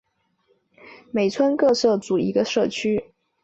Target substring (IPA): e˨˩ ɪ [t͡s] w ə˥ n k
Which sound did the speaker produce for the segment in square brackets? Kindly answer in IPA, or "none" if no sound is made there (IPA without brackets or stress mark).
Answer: t͡sʰ